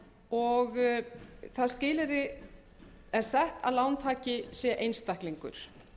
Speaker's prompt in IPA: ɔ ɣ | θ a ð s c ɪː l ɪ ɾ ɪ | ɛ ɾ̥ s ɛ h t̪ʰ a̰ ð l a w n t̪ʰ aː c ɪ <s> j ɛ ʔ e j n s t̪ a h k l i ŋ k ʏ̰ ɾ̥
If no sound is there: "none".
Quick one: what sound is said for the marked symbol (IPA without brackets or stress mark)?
s